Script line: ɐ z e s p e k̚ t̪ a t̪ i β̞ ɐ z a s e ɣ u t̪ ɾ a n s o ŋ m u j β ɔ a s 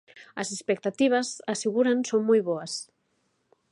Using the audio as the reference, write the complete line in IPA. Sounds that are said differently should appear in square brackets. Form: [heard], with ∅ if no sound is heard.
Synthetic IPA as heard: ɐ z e s p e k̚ t̪ a t̪ i β̞ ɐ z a s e ɣ u [∅] ɾ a n s o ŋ m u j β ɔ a s

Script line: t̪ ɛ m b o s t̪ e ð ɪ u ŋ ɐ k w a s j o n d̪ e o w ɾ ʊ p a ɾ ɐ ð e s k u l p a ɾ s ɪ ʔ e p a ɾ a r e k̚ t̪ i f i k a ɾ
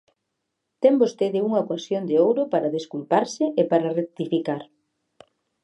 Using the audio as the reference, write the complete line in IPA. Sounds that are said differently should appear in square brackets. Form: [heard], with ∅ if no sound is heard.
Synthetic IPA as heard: t̪ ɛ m b o s t̪ e ð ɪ u ŋ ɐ k w a s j o n d̪ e o w ɾ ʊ p a ɾ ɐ ð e s k u l p a ɾ s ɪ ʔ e p a ɾ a r e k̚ t̪ i f i k a ɾ

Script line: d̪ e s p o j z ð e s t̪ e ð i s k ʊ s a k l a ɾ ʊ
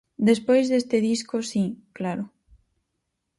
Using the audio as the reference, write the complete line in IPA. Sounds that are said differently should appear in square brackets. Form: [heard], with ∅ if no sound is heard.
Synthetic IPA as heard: d̪ e s p o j z ð e s t̪ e ð i s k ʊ s [i] k l a ɾ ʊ

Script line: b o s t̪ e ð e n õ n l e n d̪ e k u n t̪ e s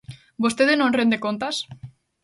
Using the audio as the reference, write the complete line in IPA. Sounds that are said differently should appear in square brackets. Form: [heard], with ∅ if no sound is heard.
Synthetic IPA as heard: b o s t̪ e ð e n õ n [r] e n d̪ e k [o] n t̪ [a] s

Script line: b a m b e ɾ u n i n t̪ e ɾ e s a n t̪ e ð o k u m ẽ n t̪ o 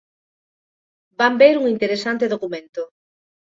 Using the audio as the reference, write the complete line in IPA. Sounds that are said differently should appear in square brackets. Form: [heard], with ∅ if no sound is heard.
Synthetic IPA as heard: b a m b e ɾ u [ŋ] i n t̪ e ɾ e s a n t̪ e ð o k u m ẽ n t̪ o

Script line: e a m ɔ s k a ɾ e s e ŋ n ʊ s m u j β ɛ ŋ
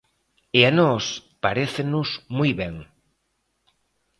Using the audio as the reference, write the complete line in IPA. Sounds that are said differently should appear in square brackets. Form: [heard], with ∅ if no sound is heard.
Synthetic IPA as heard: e a [n] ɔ s [p] a ɾ e [θ] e [∅] n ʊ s m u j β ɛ ŋ

